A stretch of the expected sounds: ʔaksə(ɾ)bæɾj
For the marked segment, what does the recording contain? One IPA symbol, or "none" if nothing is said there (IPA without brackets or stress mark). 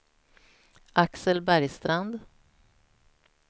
l